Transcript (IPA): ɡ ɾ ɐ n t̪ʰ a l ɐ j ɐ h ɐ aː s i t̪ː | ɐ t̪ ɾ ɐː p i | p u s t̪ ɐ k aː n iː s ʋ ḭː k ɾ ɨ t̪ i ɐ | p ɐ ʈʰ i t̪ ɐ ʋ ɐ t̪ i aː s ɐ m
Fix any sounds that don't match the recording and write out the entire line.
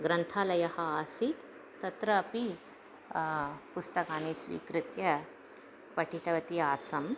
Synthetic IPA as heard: ɡ ɾ ɐ n t̪ʰ a l ɐ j ɐ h ɐ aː s i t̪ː | ɐ t̪ ɾ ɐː p i | p u s t̪ ɐ k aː n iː s ʋ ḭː k ɾ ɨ t̪ j ɐ | p ɐ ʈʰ i t̪ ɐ ʋ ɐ t̪ i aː s ɐ m